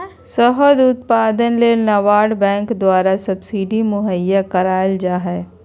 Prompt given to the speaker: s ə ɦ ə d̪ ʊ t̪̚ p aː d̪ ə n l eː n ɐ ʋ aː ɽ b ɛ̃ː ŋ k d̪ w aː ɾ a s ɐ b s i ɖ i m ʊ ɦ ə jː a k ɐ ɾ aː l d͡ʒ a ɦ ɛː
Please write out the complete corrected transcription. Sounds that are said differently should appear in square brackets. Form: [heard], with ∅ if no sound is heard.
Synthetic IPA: s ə ɦ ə d̪ ʊ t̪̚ p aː d̪ ə n l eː n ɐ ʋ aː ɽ b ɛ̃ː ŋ k d̪ w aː ɾ a s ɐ b s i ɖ i m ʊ ɦ ə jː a k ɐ ɾ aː l d͡ʒ a ɦ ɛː